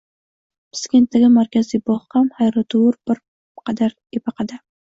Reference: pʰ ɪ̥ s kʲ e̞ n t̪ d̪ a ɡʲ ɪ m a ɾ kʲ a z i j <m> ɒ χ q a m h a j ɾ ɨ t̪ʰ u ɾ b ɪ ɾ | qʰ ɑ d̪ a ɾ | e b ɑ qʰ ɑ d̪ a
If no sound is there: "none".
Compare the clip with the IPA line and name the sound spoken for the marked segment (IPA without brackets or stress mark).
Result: b